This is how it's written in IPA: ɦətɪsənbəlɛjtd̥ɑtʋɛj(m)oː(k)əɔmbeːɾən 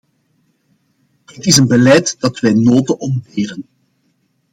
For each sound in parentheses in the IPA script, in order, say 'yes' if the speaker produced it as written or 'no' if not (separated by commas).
no, no